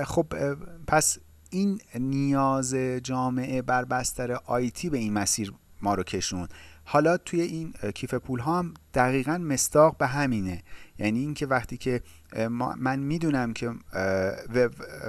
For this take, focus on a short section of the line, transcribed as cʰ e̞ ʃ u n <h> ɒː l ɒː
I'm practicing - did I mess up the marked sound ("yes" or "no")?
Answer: no